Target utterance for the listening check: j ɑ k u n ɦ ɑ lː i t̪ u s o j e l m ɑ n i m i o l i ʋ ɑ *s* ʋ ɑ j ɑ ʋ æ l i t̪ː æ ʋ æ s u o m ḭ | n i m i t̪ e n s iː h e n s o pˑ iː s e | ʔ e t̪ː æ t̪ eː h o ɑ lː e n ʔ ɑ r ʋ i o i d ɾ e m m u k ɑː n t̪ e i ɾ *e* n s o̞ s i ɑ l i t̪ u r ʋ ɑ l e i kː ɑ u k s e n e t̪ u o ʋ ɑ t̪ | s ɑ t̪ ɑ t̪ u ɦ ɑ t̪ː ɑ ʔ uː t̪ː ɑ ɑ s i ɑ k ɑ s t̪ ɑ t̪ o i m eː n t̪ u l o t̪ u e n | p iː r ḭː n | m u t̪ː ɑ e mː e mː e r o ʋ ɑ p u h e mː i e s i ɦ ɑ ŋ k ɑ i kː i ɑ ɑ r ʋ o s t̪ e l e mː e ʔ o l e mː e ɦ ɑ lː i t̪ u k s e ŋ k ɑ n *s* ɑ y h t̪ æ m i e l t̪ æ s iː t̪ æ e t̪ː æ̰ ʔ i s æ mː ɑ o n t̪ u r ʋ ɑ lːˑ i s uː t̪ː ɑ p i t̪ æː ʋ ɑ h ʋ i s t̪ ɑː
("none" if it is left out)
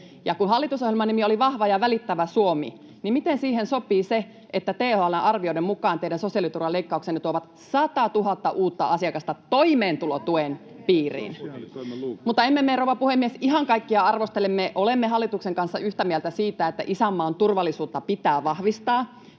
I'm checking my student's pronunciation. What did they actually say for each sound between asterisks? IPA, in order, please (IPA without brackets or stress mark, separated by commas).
h, æ, sː